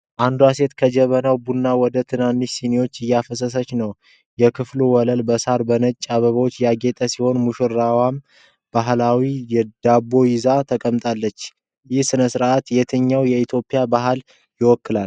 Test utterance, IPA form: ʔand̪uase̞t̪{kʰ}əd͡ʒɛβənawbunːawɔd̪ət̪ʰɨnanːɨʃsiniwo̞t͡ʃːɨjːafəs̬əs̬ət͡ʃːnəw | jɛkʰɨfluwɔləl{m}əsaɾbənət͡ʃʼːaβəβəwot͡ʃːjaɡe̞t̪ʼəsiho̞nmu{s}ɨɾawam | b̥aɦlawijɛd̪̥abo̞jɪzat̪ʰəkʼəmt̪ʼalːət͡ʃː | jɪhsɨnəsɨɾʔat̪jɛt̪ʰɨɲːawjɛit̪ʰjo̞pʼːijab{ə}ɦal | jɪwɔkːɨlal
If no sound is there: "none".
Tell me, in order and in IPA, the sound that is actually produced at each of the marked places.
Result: kʰ, b, ʃ, a

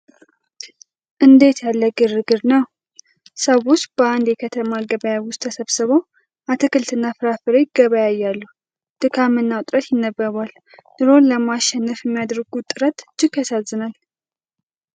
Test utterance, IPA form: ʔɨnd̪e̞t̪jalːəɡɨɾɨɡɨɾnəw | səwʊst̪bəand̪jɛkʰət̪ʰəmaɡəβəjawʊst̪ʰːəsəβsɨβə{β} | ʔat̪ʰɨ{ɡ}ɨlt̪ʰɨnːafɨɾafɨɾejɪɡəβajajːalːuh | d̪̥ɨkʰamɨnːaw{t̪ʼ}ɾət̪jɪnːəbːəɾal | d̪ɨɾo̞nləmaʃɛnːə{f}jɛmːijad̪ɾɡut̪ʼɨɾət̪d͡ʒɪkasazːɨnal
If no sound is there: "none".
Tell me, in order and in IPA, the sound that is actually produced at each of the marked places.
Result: w, k, t̪ʼ, f

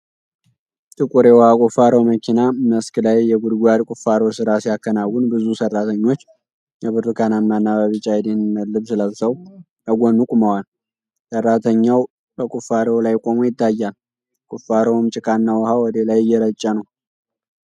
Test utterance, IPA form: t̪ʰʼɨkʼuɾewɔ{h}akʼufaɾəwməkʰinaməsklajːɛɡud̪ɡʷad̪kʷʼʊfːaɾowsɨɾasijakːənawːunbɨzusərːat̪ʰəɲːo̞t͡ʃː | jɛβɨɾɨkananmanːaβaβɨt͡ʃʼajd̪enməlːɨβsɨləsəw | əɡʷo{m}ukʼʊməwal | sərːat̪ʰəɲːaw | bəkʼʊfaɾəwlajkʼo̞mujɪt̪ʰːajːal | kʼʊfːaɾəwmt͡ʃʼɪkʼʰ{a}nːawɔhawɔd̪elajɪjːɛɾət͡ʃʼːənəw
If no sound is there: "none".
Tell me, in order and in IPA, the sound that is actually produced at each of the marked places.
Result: h, n, a

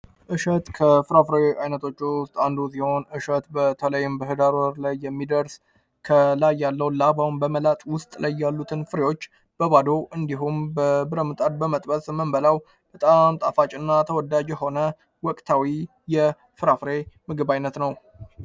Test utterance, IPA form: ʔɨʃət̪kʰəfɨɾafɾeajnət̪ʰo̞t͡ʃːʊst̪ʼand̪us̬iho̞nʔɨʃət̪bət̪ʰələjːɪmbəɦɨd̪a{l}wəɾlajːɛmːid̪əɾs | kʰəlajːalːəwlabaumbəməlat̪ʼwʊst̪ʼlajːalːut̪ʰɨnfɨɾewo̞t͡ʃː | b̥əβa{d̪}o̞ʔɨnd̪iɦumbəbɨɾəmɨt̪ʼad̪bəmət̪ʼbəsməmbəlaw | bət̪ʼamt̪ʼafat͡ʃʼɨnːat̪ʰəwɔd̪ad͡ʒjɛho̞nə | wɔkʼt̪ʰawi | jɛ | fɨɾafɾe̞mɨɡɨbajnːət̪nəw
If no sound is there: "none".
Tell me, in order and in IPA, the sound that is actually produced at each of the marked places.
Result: ɾ, d̪

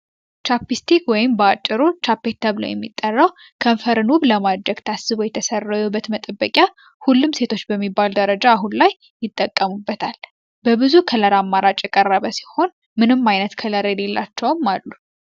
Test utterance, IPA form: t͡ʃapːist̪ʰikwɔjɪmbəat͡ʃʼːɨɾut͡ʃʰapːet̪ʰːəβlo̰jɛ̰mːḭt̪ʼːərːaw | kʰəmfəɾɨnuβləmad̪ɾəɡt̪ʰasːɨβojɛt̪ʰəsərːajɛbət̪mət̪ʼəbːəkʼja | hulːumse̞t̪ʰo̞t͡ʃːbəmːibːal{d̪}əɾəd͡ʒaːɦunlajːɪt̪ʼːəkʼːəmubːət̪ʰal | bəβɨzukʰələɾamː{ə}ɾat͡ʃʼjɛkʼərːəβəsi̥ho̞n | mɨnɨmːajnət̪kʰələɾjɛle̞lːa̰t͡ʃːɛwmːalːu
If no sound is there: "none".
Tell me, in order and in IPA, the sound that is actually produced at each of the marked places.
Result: d̪, a

